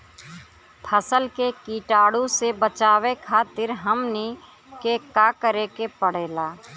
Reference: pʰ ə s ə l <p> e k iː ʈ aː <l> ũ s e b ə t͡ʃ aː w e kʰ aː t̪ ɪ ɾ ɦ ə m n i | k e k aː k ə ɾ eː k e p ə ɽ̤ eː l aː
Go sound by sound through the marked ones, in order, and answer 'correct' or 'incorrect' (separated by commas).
incorrect, incorrect